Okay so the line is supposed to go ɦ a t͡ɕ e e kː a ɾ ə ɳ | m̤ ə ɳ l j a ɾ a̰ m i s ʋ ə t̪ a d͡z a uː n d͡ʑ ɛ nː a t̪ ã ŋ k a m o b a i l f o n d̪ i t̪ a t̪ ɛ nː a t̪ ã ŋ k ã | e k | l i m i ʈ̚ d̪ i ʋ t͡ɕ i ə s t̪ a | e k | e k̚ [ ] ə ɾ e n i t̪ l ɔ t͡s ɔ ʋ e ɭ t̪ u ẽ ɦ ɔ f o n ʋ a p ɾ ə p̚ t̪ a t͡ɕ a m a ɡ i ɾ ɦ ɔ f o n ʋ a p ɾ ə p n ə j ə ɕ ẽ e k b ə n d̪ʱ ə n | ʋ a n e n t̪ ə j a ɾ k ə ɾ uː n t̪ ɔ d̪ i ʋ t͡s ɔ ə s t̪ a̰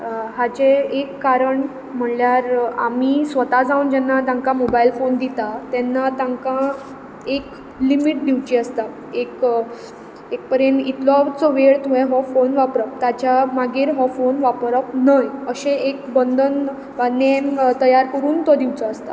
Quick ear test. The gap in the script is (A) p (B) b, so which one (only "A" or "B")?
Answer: A